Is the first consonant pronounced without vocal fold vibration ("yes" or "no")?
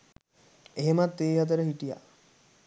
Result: no